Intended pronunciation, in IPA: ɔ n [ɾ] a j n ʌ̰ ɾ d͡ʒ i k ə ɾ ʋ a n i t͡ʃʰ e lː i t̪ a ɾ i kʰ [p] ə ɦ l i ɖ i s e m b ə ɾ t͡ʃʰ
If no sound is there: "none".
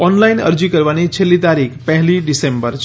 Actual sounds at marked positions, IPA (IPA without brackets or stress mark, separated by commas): l, p